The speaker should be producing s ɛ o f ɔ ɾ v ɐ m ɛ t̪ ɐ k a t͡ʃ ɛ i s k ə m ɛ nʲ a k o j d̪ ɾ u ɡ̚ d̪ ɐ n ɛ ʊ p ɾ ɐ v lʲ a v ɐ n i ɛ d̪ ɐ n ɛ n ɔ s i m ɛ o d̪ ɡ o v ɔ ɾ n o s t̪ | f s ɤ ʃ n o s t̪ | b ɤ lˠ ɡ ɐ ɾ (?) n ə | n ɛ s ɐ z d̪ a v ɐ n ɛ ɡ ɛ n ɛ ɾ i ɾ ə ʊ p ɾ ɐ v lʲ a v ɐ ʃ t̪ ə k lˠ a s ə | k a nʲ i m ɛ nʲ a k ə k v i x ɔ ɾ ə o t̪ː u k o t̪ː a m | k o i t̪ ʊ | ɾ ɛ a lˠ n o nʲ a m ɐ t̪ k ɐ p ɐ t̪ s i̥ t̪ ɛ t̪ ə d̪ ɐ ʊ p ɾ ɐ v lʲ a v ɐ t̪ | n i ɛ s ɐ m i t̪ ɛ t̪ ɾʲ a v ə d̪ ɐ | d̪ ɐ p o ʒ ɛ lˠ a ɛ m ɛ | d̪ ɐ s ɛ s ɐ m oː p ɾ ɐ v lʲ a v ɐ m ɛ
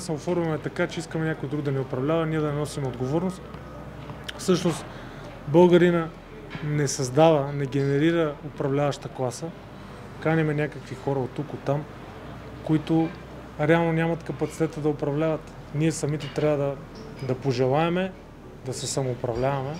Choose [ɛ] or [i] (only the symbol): i